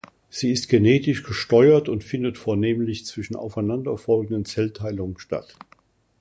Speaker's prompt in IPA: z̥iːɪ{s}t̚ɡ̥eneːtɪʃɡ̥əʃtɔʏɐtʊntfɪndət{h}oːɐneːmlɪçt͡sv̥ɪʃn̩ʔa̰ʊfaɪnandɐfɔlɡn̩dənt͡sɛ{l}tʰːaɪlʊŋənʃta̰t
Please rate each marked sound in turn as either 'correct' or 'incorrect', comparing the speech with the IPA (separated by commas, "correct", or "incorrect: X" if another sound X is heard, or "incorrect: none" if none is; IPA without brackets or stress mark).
correct, incorrect: f, correct